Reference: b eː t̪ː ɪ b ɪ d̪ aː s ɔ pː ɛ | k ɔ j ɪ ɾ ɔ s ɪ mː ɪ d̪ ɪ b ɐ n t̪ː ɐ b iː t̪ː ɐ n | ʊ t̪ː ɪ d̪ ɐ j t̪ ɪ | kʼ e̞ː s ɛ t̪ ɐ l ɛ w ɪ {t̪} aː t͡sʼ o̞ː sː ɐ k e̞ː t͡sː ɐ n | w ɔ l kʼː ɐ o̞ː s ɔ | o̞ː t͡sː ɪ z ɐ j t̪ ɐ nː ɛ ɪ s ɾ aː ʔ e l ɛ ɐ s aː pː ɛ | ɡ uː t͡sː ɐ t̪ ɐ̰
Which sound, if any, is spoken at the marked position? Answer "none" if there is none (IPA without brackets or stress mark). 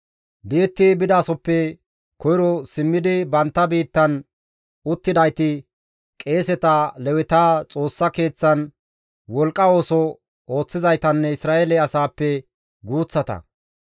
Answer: t̪